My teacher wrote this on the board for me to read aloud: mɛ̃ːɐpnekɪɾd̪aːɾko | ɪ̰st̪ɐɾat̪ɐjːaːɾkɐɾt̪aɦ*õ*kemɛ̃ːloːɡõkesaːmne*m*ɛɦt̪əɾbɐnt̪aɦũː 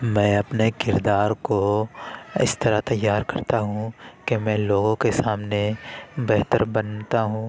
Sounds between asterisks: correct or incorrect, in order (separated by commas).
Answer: incorrect, incorrect